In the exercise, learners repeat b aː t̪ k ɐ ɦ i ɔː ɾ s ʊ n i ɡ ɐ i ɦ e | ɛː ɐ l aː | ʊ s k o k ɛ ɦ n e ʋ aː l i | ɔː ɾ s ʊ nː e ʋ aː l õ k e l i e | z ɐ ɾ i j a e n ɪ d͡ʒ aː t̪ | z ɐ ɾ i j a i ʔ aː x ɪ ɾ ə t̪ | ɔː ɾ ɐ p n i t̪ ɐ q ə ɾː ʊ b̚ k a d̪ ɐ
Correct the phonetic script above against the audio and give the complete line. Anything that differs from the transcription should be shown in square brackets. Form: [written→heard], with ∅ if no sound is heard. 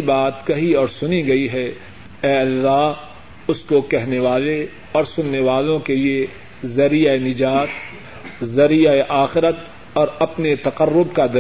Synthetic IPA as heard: b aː t̪ k ɐ ɦ i ɔː ɾ s ʊ n i ɡ ɐ i ɦ [e→ɛ] | ɛː ɐ [l→lː] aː | ʊ s k o k ɛ ɦ n e ʋ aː l [i→e] | ɔː ɾ s ʊ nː e ʋ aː l õ k e l i e | z ɐ ɾ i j a e n ɪ d͡ʒ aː t̪ | z ɐ ɾ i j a [i→e] ʔ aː x ɪ ɾ ə t̪ | ɔː ɾ ɐ p n [i→e] t̪ ɐ q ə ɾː ʊ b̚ k a d̪ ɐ